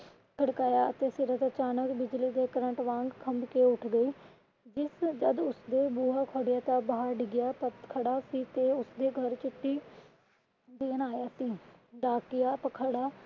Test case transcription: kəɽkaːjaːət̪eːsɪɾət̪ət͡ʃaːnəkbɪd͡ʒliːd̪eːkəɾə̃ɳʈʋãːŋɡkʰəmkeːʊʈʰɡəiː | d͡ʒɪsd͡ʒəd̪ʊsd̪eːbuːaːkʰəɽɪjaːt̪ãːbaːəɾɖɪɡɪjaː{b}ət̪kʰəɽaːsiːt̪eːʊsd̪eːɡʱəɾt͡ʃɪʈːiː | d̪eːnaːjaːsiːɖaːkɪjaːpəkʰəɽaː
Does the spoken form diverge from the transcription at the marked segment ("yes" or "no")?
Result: yes